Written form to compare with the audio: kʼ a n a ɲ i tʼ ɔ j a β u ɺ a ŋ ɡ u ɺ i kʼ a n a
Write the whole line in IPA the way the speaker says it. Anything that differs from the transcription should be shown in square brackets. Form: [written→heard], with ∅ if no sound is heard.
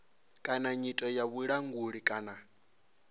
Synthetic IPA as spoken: kʼ a n a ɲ i tʼ ɔ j a β u ɺ a ŋ ɡ u ɺ i kʼ a n a